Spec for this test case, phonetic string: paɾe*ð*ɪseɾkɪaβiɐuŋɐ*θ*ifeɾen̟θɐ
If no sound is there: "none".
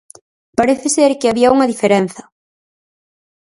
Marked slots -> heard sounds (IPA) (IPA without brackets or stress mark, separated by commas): θ, ð